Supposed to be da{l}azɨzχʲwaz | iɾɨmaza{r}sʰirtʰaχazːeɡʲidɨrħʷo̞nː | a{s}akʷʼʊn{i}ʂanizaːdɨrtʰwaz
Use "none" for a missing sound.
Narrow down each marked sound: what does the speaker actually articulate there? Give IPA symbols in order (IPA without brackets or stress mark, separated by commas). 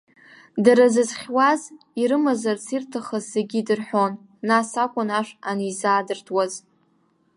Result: ɾ, r, s, a